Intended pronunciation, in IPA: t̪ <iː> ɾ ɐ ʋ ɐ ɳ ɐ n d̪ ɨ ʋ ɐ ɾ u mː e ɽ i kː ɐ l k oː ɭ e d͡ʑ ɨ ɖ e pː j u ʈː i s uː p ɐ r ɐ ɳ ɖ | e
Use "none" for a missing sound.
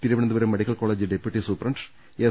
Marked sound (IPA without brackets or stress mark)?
i